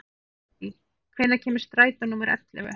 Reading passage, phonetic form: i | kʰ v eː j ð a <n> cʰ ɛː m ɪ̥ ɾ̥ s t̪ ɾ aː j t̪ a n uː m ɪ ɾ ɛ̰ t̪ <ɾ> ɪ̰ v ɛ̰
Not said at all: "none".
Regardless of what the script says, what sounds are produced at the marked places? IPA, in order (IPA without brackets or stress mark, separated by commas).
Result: none, l